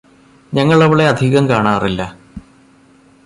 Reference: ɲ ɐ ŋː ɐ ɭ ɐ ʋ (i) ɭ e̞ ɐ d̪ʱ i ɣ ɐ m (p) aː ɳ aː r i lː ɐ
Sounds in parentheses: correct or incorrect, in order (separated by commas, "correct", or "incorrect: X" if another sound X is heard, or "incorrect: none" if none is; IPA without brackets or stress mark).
correct, incorrect: k